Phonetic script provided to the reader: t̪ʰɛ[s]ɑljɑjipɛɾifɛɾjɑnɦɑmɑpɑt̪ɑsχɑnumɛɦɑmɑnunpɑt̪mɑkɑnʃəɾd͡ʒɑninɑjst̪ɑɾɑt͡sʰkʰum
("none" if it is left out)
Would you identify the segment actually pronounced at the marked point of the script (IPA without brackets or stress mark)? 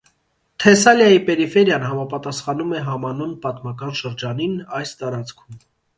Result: s